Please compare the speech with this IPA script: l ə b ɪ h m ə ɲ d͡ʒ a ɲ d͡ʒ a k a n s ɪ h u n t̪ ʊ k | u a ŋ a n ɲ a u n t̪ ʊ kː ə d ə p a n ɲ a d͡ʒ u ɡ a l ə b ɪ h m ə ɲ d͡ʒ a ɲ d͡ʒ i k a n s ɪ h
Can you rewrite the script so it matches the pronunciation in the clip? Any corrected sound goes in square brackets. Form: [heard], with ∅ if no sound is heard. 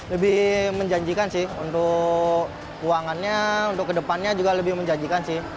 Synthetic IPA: l ə b ɪ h m ə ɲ d͡ʒ a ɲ d͡ʒ [i] k a n s ɪ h u n t̪ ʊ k | u a ŋ a n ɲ a u n t̪ ʊ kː ə d ə p a n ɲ a d͡ʒ u ɡ a l ə b ɪ h m ə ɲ d͡ʒ a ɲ d͡ʒ i k a n s ɪ h